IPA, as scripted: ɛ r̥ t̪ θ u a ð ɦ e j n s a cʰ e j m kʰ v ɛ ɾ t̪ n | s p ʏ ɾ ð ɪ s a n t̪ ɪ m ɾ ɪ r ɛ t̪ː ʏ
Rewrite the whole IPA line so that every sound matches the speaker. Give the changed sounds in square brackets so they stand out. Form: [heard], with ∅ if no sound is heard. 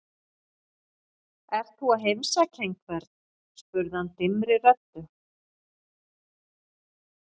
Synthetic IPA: ɛ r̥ t̪ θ u a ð ɦ e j [m] s a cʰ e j [ŋ] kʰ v ɛ ɾ t̪ n | s p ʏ ɾ ð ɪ [h] a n t̪ ɪ m ɾ ɪ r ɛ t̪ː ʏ

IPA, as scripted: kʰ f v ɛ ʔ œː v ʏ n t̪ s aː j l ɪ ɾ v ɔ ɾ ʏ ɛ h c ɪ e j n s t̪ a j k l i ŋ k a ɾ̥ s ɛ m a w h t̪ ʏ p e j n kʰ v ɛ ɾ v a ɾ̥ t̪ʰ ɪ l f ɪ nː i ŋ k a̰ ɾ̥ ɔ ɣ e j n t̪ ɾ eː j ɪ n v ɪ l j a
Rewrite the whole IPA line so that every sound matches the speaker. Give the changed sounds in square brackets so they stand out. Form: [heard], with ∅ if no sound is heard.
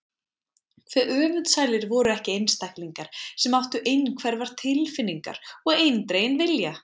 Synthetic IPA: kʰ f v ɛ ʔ œː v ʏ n t̪ s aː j l ɪ ɾ v ɔ ɾ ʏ ɛ h c ɪ e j n s t̪ a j k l i ŋ k a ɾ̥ s ɛ m a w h t̪ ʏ [ʔ] e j n kʰ v ɛ ɾ v a ɾ̥ t̪ʰ ɪ l f ɪ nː i ŋ k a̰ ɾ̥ ɔ ɣ e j n t̪ ɾ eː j ɪ n v ɪ l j a

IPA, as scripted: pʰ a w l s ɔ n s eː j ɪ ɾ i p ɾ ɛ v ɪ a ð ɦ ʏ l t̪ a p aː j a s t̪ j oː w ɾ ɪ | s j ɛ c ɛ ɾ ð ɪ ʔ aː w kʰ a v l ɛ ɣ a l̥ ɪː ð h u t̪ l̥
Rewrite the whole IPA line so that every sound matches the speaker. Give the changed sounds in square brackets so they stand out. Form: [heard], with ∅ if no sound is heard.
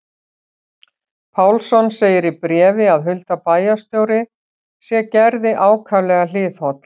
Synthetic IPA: pʰ a w l s ɔ n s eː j ɪ ɾ i p ɾ [ɛː] v ɪ a ð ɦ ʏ l t̪ a p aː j a s t̪ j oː w ɾ ɪ | s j ɛ c ɛ ɾ ð ɪ ʔ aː w kʰ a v l ɛ ɣ a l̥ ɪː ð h [ɔ] t̪ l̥

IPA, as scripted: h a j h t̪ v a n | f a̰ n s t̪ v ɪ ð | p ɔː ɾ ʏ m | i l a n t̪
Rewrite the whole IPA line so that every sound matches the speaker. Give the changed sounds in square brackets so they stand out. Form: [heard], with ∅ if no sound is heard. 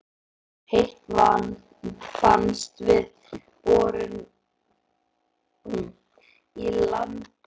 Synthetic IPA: h [e] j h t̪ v a n | f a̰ n s t̪ v ɪ ð | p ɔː ɾ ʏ [n] | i l a n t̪

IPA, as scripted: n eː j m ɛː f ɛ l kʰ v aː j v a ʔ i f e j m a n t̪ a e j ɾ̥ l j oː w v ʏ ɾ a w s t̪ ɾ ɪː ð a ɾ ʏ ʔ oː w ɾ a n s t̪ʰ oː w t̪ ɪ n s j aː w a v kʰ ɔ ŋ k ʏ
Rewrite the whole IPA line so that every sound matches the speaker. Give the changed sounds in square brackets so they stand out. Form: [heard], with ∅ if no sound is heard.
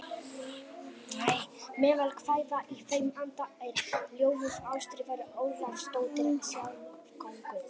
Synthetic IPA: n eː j m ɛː [v] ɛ l kʰ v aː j [ð] a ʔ i f e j m a n t̪ a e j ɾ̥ l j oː w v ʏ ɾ a w s t̪ ɾ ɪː [v] a ɾ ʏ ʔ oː w [l] a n s [t̪] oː w t̪ ɪ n s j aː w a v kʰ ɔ ŋ k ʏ

